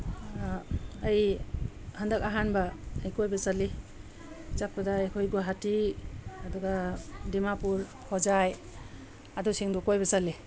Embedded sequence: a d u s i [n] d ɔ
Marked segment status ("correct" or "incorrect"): incorrect